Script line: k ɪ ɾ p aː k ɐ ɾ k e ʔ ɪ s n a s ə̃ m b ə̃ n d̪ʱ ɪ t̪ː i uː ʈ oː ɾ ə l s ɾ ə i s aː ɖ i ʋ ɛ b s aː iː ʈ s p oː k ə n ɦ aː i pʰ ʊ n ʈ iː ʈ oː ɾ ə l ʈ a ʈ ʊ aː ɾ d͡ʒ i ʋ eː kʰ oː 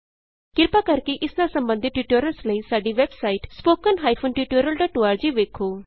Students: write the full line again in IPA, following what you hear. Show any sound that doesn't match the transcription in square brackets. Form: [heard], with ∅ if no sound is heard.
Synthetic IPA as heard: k ɪ ɾ p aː k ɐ ɾ k e ʔ ɪ s n a s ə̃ m b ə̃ n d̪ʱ ɪ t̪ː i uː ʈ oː ɾ ə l s [l] ə i s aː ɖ i ʋ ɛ b s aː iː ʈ s p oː k ə n ɦ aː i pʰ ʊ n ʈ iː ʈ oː ɾ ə l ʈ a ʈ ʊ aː ɾ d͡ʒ i ʋ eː kʰ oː